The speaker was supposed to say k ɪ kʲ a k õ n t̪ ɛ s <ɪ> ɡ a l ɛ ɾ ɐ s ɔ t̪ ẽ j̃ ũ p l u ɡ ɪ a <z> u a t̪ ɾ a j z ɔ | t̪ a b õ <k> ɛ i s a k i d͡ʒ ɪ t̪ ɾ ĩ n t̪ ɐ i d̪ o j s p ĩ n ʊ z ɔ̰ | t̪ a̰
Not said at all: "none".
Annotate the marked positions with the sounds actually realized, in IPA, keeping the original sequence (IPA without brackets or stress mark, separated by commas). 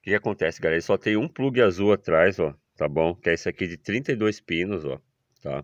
ɪ, z, k